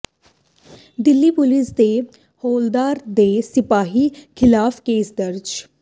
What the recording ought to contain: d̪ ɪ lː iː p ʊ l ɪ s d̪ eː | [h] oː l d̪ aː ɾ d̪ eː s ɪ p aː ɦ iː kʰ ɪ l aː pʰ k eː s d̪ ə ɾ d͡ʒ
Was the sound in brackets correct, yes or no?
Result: yes